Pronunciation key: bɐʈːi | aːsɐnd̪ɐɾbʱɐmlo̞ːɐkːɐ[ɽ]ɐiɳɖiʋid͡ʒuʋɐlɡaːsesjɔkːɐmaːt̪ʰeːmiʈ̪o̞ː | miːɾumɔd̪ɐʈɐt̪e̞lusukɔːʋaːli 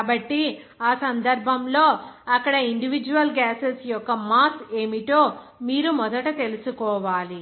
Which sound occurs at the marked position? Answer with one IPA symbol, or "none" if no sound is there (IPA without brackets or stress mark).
ɽ